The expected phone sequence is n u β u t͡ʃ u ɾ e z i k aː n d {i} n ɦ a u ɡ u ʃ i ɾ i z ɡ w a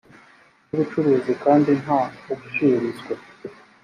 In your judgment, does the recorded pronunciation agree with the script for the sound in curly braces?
yes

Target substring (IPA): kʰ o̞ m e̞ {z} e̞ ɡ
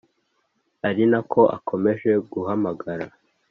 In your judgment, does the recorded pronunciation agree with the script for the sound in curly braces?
no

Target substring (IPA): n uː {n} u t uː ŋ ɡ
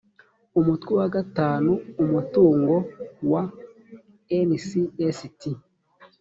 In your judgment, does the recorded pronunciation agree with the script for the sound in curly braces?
no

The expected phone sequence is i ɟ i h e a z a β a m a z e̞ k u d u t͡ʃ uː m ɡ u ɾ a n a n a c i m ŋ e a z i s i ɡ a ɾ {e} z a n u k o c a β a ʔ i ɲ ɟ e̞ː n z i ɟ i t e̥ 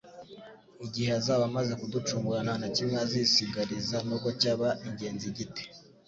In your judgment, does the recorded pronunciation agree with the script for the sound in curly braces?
no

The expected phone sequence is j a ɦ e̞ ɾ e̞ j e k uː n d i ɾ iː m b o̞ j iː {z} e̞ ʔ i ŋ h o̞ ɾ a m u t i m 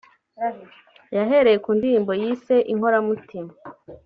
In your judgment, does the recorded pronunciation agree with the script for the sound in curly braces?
no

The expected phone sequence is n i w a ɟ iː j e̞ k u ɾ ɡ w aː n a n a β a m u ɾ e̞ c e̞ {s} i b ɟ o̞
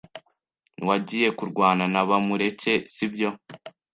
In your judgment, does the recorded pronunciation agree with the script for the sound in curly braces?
yes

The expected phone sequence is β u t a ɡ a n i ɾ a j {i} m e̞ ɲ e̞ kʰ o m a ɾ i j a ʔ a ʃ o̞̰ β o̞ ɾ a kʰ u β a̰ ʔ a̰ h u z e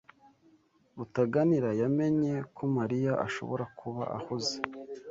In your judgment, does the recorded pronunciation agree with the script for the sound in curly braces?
no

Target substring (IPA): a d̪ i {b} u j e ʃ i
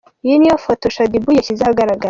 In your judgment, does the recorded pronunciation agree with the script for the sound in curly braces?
yes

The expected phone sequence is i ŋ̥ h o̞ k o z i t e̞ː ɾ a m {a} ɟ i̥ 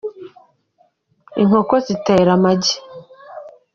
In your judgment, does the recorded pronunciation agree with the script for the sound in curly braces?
yes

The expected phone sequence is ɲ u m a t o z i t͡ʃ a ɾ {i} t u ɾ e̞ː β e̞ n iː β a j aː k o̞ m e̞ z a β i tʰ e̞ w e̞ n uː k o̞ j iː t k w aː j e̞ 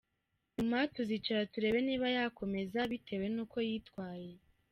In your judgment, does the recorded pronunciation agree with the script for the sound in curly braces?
no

